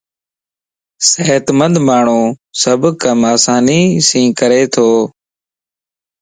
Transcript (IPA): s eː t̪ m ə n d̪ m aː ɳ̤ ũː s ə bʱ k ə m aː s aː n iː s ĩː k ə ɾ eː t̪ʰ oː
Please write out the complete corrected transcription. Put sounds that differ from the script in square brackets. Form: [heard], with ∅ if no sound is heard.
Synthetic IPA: s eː t̪ m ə n d̪ m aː ɳ̤ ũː s ə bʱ k ə m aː s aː n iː s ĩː k ə ɾ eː t̪ʰ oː